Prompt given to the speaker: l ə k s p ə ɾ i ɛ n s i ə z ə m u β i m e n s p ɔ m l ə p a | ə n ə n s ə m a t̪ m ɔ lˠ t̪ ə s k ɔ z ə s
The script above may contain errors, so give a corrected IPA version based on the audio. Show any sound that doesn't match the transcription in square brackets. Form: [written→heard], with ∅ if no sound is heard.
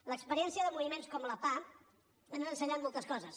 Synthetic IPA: l ə k s p ə ɾ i ɛ n s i ə [z→ð] ə m u β i m e n s [p→k] ɔ m l ə p a | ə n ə n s ə [m→ɲ] a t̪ m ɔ lˠ t̪ ə s k ɔ z ə s